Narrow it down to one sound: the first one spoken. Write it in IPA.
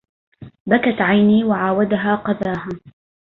b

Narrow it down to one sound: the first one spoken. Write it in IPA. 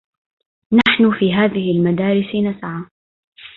n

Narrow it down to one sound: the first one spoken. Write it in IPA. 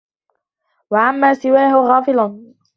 w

